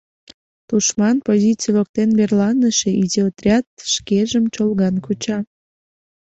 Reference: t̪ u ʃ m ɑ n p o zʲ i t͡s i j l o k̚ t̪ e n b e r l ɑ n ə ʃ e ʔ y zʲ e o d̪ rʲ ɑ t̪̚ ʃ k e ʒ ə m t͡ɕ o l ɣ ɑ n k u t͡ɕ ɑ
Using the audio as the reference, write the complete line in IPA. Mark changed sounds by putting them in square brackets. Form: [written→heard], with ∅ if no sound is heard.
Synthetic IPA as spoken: t̪ u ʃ m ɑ n p o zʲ i t͡s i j l o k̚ t̪ e n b e r l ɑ n ə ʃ e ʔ [y→i] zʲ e o [d̪→t̪] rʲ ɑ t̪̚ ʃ k e ʒ ə m t͡ɕ o l ɣ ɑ n k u t͡ɕ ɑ